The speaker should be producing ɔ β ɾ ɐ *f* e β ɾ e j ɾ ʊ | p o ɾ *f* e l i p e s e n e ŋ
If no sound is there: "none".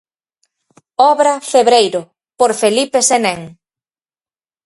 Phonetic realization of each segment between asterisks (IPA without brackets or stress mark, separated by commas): f, f